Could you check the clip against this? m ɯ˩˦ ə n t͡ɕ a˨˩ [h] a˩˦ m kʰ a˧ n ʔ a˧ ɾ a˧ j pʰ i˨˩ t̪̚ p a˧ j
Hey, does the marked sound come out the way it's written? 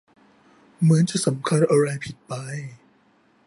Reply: no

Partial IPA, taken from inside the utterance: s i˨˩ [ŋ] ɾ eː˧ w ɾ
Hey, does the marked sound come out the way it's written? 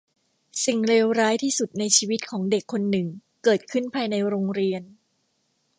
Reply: yes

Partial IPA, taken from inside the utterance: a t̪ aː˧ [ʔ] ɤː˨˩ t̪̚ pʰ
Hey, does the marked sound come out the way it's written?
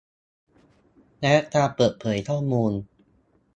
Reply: no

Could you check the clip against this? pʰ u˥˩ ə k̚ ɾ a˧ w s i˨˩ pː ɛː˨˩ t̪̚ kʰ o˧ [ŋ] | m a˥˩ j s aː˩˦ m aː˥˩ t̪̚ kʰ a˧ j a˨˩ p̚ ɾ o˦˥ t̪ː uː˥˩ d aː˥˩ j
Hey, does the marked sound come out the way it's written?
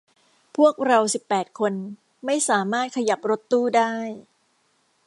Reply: no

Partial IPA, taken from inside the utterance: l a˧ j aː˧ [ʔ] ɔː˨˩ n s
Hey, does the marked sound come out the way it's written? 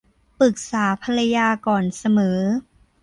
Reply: no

